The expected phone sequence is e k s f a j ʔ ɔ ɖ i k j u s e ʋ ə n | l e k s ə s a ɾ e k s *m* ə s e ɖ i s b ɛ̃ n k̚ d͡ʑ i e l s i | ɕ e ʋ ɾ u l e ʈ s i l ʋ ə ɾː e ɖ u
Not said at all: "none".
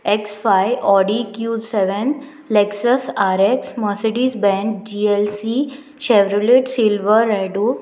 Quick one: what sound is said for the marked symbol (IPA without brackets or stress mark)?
m